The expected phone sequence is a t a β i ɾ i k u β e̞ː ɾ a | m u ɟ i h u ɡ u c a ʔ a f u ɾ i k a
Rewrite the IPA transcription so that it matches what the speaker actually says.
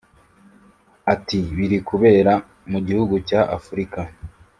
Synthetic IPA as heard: a t i β i ɾ i k u β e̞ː ɾ a | m u ɟ i h u ɡ u c a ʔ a f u ɾ i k a